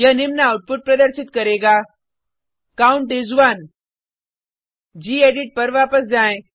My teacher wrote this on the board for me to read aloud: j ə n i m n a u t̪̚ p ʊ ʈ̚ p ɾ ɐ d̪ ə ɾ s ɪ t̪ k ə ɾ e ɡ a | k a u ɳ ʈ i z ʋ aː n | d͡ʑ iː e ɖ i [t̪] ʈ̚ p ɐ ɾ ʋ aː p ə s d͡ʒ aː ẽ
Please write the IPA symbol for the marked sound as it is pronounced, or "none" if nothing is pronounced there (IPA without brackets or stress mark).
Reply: none